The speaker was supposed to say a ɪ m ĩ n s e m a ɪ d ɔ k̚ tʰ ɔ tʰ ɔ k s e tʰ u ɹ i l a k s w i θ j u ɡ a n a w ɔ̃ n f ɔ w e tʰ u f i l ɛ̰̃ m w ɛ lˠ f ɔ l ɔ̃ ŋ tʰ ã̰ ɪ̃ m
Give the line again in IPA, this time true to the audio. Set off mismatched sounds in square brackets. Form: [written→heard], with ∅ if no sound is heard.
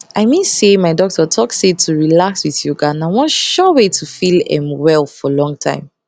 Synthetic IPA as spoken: a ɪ m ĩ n s e m a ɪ d ɔ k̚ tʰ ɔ tʰ ɔ k s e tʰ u ɹ i l a k s w i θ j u ɡ a n a w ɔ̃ n [f→ʃ] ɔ w e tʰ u f i l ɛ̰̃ m w ɛ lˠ f ɔ l ɔ̃ ŋ tʰ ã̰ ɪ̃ m

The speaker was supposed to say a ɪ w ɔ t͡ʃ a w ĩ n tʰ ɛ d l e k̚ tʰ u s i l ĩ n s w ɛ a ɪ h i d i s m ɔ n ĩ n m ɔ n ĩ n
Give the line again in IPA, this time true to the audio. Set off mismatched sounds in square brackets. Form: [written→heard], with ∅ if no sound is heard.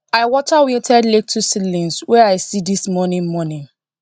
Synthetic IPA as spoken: a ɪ w ɔ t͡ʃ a w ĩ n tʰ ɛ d l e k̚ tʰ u s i l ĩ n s w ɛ a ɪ [h→s] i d i s m ɔ n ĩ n m ɔ n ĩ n

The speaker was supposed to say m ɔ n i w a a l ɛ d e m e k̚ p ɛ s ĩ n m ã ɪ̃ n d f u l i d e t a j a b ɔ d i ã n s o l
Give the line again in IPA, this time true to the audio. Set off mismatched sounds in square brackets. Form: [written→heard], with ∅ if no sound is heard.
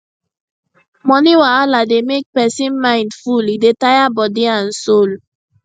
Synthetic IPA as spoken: m ɔ n i w a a l [ɛ→a] d e m e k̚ p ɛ s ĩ n m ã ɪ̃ n d f u l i d e t a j a b ɔ d i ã n s o l

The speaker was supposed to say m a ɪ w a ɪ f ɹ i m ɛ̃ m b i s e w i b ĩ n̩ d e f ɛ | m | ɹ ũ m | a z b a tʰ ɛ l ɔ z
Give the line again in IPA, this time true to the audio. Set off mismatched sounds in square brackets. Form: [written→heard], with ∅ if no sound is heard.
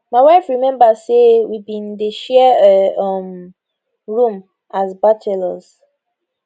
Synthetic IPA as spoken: m a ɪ w a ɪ f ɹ i m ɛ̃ m b [i→a] s e w i b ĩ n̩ d e [f→ʃ] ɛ | m | ɹ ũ m | a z b a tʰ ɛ l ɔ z

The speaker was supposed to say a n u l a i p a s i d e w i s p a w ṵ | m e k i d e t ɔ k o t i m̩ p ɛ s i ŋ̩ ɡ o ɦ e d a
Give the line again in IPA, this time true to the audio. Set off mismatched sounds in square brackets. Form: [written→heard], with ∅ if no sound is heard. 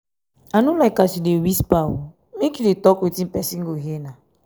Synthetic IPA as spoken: a n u l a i [p→k] a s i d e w i s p a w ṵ | m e k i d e t ɔ k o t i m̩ p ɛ s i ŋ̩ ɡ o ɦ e [d→n] a

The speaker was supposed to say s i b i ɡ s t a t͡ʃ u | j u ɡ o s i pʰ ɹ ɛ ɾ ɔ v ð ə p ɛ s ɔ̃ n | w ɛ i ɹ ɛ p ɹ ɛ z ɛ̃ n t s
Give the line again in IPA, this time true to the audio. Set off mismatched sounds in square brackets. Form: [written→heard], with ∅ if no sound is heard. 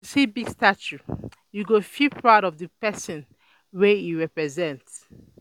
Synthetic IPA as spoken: s i b i ɡ s t a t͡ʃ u | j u ɡ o [s→f] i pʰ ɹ [ɛ→a] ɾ ɔ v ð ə p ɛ s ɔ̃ n | w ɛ i ɹ ɛ p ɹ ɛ z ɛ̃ n t s

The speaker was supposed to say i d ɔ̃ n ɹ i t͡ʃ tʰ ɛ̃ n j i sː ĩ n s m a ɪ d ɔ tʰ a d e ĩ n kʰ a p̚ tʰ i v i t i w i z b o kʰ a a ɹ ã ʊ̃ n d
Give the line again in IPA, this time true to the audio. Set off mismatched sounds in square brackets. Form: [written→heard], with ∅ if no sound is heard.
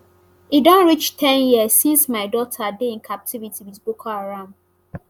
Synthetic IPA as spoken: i d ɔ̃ n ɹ i t͡ʃ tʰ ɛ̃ n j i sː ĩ n s m a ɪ d ɔ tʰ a d e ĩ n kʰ a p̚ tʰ i v i t i w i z b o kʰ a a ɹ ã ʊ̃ n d

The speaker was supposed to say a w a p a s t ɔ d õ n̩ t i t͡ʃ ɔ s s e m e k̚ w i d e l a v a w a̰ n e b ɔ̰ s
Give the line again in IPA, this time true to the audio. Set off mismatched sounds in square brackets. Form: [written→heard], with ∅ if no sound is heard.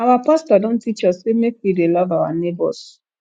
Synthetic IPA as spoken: a w a p a s t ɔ d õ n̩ t i t͡ʃ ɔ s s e m e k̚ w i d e l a v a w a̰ n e b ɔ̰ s

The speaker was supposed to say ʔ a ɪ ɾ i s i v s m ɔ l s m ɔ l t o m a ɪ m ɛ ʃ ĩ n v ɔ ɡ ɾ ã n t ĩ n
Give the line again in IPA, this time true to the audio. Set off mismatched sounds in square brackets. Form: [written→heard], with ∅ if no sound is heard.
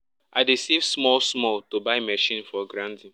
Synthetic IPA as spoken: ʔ a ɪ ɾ i s i v s m ɔ l s m ɔ l t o [m→b] a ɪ m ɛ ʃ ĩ n [v→f] ɔ ɡ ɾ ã n t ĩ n

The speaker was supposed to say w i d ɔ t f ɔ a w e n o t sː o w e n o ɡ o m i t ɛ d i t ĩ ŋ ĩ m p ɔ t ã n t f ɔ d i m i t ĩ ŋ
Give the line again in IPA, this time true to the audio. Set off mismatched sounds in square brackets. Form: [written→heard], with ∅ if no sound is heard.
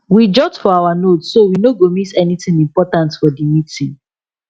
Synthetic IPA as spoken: w i [d→d͡ʒ] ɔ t f ɔ a w [e→a] n o t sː o w [e→i] n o ɡ o m i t ɛ [d→n] i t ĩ ŋ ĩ m p ɔ t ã n t f ɔ d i m i t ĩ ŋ

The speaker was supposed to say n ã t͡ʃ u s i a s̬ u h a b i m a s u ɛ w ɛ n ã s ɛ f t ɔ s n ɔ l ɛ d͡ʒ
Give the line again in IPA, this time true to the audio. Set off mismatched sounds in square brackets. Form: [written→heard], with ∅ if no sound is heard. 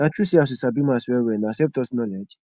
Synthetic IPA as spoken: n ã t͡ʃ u s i a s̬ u [h→s] a b i m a s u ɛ w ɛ n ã s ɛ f t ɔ s n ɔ l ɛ d͡ʒ

